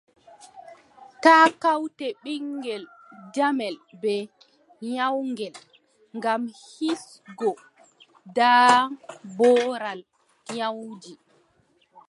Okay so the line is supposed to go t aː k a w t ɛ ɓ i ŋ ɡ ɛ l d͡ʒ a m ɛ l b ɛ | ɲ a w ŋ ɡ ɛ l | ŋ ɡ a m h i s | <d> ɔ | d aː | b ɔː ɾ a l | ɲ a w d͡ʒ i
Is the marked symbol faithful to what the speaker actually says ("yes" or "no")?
no